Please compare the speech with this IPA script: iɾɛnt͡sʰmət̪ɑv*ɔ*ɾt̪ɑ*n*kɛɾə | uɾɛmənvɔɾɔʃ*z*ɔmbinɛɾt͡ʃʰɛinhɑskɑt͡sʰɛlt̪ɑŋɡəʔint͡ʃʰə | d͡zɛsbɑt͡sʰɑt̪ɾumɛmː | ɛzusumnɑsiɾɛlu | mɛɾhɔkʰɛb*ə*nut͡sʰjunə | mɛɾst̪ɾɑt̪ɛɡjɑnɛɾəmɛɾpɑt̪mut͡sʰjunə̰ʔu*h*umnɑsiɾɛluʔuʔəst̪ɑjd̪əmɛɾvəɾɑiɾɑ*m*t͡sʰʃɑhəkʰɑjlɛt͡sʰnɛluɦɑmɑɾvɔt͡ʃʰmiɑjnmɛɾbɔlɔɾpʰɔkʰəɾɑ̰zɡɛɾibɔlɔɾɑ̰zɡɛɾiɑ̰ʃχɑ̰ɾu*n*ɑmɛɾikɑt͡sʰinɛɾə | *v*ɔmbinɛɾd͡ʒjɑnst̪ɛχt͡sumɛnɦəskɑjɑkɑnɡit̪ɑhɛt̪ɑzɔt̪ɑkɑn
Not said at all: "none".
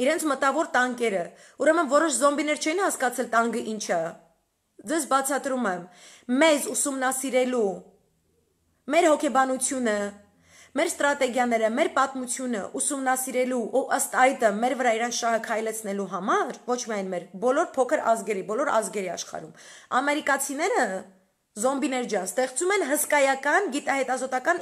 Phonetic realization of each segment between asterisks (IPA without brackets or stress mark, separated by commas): ɔ, ŋ, z, ɑ, s, n, m, z